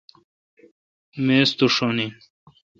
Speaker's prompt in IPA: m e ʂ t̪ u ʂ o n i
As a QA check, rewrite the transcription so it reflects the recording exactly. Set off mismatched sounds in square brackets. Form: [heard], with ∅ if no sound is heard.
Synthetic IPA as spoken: m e [s] t̪ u ʂ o n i